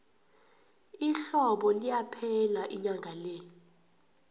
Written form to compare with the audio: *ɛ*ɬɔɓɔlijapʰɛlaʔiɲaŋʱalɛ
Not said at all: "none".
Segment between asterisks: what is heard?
i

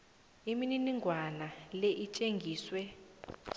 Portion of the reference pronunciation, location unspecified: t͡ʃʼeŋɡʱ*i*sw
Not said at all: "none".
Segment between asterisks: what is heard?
iː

